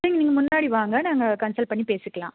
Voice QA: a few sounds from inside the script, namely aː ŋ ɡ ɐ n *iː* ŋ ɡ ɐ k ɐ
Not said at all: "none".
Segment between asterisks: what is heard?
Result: aː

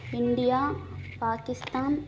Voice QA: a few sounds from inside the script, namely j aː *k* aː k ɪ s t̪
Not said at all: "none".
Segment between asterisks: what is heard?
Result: p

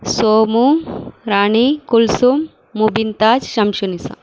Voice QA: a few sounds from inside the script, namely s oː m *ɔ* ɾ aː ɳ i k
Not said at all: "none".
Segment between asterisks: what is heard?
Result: u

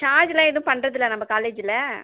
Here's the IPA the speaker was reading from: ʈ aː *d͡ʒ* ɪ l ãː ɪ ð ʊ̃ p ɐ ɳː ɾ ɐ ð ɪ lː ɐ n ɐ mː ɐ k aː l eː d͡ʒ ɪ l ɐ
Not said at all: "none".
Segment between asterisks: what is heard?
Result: d͡ʒ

